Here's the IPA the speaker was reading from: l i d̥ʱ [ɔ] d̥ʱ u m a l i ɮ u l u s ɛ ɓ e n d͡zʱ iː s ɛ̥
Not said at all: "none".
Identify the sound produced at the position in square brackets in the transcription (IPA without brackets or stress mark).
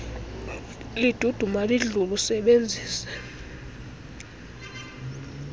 u